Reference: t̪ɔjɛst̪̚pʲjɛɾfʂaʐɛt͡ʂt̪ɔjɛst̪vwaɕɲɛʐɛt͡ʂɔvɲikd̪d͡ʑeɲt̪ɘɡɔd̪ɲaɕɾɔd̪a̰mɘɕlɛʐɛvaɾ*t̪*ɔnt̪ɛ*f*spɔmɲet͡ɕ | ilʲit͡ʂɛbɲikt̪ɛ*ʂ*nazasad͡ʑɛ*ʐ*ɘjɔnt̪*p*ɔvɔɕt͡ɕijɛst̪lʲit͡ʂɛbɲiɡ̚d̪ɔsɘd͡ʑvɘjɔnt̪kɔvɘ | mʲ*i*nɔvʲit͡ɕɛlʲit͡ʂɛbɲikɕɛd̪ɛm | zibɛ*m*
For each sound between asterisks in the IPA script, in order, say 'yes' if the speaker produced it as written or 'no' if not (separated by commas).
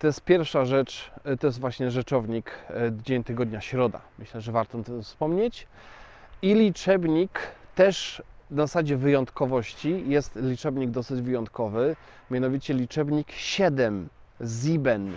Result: yes, yes, yes, no, no, no, no